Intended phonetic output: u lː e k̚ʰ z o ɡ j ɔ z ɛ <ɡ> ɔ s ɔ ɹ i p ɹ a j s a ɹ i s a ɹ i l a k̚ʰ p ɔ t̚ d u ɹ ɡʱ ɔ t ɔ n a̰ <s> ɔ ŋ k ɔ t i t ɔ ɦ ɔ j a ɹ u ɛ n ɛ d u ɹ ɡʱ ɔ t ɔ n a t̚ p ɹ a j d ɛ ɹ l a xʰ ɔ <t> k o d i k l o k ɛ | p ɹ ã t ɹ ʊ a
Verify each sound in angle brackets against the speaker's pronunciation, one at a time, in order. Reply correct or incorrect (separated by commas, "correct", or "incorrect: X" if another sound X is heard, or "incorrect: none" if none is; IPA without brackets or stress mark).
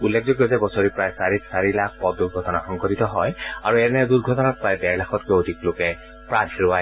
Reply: incorrect: b, incorrect: x, correct